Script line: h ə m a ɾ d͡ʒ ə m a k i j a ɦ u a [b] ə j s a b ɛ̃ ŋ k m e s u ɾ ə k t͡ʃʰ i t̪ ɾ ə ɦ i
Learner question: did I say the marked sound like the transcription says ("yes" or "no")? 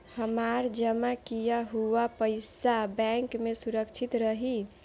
no